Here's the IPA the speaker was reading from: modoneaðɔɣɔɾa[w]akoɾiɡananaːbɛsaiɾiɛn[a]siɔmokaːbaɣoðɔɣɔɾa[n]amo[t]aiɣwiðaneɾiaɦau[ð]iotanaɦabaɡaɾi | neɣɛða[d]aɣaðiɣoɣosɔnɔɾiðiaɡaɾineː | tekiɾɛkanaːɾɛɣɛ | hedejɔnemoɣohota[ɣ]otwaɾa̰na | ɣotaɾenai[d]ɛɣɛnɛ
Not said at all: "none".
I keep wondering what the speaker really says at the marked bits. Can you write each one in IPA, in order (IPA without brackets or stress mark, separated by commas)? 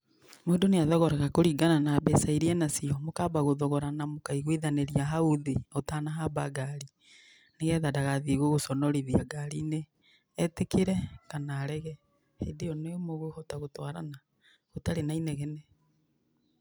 ɣ, a, n, k, ð, d, ɣ, n